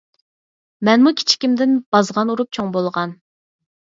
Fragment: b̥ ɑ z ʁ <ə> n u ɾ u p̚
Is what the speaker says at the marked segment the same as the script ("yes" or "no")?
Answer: no